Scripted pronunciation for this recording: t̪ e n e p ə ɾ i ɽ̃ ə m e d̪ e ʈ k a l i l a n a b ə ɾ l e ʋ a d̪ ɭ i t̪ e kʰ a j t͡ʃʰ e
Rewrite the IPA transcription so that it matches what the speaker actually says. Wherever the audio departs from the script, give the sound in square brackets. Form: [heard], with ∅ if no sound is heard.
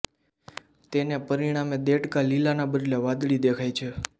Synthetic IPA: t̪ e n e p ə ɾ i ɽ̃ [a] m e d̪ e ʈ k a l i l a n a b ə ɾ l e ʋ a d̪ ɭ i [d̪] e kʰ a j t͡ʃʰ e